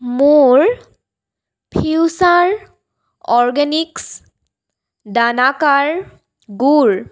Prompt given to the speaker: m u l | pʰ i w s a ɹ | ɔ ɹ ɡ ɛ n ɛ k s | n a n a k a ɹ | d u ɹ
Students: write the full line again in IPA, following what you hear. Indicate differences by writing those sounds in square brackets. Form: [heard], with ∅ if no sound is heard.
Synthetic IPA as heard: m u [ɹ] | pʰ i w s a ɹ | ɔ ɹ ɡ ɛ n [i] k s | [d] a n a k a ɹ | [ɡ] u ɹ